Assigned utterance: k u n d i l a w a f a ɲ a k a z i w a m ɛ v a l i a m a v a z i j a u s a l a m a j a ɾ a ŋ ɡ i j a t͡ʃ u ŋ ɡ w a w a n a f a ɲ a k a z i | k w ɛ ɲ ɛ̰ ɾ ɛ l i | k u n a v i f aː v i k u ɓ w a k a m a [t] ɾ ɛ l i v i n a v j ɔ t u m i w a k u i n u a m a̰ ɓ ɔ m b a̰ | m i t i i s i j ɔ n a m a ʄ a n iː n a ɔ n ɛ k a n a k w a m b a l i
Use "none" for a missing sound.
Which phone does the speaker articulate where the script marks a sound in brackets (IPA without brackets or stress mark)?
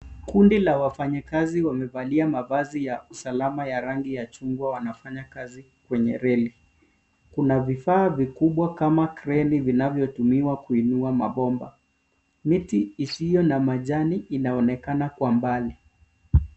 k